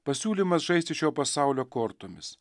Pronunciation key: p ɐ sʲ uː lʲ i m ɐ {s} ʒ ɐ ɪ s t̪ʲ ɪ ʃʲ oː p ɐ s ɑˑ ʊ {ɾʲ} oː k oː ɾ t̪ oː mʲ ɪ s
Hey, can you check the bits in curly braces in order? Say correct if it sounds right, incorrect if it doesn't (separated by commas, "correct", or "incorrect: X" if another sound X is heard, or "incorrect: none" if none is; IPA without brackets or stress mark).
correct, incorrect: lʲ